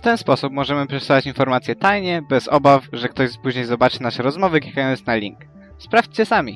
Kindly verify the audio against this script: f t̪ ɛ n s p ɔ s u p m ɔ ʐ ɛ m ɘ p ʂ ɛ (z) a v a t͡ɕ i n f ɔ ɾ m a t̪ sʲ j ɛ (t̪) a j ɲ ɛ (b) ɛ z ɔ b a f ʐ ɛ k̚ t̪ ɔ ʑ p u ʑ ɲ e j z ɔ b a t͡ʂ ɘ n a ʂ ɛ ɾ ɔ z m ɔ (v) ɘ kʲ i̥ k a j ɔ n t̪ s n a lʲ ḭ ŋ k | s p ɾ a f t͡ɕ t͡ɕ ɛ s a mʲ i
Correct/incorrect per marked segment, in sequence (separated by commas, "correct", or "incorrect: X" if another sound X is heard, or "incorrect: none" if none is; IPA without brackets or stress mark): incorrect: s, correct, correct, correct